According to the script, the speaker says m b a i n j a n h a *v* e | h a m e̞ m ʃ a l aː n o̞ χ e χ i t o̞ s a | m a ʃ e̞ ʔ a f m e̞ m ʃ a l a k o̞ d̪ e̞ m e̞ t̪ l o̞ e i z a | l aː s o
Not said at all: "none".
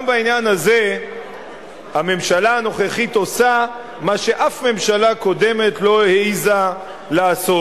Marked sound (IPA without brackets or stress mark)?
z